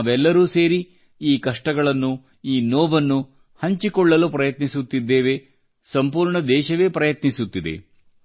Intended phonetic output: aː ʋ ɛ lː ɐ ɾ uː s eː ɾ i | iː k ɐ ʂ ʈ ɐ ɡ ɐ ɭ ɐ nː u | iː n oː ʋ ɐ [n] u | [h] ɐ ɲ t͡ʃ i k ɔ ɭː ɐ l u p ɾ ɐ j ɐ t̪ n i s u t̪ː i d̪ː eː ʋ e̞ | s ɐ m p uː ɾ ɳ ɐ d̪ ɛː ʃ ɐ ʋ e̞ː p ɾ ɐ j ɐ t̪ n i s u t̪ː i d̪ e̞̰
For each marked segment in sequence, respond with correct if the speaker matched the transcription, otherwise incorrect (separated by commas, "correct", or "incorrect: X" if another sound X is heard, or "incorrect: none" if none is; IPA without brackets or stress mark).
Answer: incorrect: nː, correct